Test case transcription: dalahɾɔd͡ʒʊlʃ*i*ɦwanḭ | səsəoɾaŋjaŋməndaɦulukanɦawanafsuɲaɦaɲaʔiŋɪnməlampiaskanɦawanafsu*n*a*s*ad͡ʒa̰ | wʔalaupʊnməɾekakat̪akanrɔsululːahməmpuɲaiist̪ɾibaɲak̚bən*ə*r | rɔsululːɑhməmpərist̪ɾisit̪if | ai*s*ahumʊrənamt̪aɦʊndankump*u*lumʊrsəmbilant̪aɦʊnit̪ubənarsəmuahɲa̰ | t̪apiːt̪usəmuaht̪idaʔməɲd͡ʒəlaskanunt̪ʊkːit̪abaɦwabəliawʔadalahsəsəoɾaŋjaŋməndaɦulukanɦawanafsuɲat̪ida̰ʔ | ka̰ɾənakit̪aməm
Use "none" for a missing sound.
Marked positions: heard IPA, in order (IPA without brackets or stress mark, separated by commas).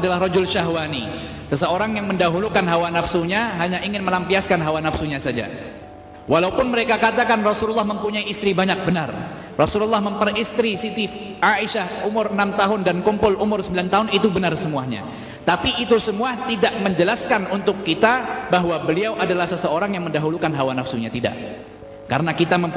a, ɲ, s, a, ʃ, ʊ